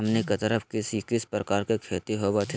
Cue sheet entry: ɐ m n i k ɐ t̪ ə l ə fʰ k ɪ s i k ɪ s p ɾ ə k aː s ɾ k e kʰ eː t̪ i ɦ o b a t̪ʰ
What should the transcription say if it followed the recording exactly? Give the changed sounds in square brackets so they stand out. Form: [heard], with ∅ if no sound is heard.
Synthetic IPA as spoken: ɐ m n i k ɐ t̪ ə [ɾ] ə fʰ k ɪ s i k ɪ s p ɾ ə k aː [∅] ɾ k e kʰ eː t̪ i ɦ o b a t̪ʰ